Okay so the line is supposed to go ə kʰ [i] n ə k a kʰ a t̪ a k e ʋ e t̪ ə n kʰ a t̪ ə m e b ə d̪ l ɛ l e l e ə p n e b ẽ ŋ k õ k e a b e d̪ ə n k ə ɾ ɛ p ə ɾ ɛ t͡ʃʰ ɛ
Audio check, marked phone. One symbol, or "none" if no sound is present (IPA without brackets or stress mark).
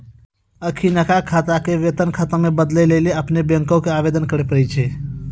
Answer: i